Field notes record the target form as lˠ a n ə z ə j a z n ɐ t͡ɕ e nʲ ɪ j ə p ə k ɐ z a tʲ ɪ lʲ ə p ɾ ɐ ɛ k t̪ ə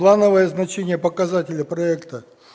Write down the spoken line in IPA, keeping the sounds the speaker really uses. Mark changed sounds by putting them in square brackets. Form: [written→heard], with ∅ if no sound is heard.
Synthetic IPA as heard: lˠ a n ə [z→v] ə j [a→ə] z n ɐ t͡ɕ e nʲ ɪ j ə p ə k ɐ z a tʲ ɪ lʲ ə p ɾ ɐ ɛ k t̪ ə